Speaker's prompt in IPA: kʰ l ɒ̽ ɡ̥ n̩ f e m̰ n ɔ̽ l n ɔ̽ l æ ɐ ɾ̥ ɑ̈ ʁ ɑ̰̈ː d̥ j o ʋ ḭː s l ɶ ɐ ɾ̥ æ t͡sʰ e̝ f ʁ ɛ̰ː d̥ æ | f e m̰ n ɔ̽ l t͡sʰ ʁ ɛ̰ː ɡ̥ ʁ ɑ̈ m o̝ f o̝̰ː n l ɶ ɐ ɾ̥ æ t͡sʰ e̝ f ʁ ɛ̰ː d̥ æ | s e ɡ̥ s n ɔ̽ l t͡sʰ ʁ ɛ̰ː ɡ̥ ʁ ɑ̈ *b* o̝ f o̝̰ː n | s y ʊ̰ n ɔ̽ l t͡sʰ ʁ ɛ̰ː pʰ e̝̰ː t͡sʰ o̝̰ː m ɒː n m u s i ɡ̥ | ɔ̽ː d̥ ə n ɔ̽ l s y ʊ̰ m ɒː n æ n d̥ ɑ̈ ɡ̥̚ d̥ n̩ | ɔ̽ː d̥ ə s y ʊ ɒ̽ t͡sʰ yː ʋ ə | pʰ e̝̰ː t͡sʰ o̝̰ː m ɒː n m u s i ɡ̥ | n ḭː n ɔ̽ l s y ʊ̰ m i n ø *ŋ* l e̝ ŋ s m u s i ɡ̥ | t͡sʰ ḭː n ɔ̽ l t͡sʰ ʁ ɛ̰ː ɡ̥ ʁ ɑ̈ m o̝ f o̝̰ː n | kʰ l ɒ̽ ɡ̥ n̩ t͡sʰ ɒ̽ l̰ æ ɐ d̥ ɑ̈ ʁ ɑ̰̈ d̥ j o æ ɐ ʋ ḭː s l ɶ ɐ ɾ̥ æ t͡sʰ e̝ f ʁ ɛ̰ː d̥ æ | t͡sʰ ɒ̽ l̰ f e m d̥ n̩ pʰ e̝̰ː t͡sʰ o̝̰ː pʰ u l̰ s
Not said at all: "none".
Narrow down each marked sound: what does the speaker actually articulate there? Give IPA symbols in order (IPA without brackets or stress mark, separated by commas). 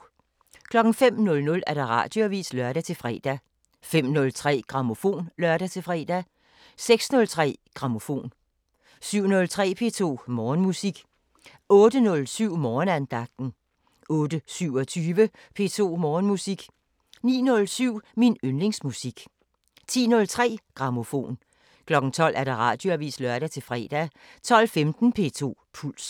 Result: m, n